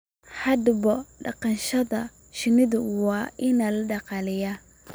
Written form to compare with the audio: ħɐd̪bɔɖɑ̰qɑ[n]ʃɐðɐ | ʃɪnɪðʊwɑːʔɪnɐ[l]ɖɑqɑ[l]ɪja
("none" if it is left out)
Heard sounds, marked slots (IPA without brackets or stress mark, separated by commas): n, l, l